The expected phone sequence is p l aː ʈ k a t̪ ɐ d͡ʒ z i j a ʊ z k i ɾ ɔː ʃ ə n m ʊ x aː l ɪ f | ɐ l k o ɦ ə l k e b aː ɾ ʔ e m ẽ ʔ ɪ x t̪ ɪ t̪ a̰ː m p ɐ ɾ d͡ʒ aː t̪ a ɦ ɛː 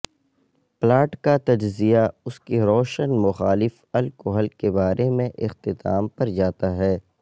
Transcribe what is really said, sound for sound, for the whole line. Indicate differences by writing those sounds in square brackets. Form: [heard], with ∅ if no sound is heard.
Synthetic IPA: p l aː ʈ k a t̪ ɐ d͡ʒ z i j a ʊ [s] k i ɾ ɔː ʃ ə n m ʊ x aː l ɪ f | ɐ l k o ɦ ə l k e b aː ɾ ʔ e m ẽ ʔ ɪ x t̪ ɪ t̪ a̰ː m p ɐ ɾ d͡ʒ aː t̪ a ɦ ɛː